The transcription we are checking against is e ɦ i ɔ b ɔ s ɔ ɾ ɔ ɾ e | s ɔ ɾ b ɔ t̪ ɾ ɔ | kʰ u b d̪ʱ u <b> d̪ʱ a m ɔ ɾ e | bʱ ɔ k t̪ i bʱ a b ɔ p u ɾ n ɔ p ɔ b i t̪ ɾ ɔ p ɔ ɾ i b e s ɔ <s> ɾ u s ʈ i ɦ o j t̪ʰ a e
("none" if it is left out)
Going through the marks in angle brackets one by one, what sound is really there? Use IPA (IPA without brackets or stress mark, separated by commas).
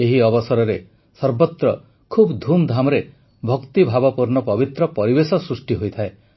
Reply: m, s